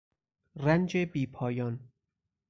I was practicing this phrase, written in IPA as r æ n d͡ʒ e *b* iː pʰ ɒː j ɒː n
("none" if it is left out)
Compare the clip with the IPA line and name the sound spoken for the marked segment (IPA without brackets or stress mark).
b